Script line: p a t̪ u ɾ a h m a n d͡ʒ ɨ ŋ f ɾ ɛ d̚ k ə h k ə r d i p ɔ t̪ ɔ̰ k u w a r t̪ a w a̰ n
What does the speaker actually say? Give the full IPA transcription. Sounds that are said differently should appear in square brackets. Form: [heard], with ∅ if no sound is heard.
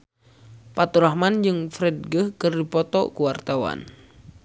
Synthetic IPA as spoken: p a t̪ u ɾ a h m a n d͡ʒ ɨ ŋ f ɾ ɛ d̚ [ɡ] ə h k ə r d i p ɔ t̪ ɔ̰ k u w a r t̪ a w a̰ n